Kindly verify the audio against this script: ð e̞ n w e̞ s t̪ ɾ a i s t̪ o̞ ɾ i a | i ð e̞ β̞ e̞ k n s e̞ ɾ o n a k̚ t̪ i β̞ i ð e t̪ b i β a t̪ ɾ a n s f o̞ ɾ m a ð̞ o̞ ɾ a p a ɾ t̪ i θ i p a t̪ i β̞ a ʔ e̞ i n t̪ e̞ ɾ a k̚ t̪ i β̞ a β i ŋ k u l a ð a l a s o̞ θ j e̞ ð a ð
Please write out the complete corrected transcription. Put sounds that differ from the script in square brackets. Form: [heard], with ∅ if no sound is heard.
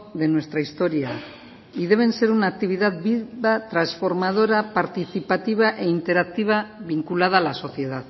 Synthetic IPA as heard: ð e̞ n w e̞ s t̪ ɾ a i s t̪ o̞ ɾ i a | i ð e̞ β̞ e̞ [∅] n s e̞ ɾ [u] n a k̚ t̪ i β̞ i ð [a] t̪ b i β a t̪ ɾ a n s f o̞ ɾ m a ð̞ o̞ ɾ a p a ɾ t̪ i θ i p a t̪ i β̞ a ʔ e̞ i n t̪ e̞ ɾ a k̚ t̪ i β̞ a β i ŋ k u l a ð a l a s o̞ θ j e̞ ð a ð